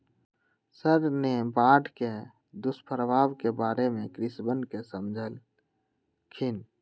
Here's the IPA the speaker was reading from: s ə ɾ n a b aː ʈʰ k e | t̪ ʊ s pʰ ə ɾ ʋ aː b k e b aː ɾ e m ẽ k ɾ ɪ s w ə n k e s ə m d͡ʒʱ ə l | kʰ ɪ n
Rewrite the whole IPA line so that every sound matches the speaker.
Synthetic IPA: s ə ɾ n e b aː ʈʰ k e | d̪ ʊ s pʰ ə ɾ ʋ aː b k e b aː ɾ e m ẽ k ɾ ɪ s b ə n k e s ə m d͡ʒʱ ə l | kʰ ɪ n